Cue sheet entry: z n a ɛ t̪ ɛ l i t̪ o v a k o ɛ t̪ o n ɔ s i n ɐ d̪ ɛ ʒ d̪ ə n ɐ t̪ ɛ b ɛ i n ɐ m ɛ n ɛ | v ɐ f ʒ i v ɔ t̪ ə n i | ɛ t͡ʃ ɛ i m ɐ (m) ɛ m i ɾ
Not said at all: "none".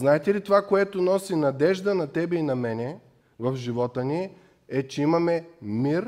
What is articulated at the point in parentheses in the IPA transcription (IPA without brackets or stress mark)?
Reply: m